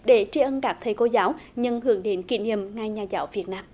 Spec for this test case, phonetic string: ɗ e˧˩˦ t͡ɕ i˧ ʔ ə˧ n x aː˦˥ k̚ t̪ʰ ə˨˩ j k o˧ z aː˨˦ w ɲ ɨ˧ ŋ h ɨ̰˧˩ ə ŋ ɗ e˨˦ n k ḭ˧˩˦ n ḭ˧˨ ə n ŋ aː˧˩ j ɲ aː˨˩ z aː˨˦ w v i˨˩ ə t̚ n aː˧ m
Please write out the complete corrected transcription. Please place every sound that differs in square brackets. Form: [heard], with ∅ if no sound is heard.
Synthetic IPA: ɗ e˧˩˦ t͡ɕ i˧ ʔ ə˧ n [k] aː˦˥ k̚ t̪ʰ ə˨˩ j k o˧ z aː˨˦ w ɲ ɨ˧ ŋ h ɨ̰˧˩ ə ŋ ɗ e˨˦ n k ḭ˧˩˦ n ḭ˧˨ ə [m] ŋ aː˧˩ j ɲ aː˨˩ z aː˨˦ w v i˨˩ ə t̚ n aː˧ m